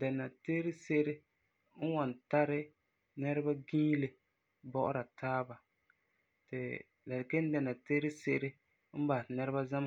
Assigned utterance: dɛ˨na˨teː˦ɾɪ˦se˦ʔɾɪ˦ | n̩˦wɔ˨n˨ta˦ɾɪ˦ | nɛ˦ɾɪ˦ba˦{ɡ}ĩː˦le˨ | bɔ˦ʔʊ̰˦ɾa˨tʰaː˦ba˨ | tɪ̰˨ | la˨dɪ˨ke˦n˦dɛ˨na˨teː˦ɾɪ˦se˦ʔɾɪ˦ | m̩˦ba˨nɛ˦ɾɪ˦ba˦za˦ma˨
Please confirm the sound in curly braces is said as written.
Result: yes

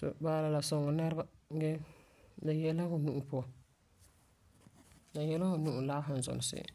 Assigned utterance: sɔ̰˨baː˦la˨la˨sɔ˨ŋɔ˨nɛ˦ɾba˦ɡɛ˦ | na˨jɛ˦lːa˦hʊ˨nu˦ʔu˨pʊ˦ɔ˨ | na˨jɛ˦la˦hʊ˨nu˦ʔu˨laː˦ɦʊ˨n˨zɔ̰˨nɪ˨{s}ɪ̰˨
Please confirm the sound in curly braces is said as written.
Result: yes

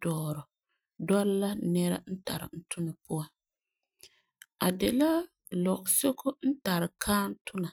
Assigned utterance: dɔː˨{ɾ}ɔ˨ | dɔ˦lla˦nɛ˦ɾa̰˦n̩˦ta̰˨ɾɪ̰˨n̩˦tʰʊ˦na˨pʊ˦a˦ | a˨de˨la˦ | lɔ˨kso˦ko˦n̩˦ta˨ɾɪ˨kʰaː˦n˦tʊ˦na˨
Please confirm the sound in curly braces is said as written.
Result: yes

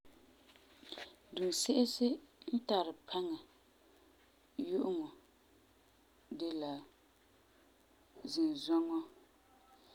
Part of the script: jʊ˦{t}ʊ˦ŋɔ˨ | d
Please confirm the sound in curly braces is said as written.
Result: no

